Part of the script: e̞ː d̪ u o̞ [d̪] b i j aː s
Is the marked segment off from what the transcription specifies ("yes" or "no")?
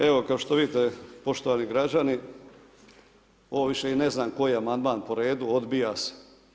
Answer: no